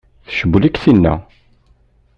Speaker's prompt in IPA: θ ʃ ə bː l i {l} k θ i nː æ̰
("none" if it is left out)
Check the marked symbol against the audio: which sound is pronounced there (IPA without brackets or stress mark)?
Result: none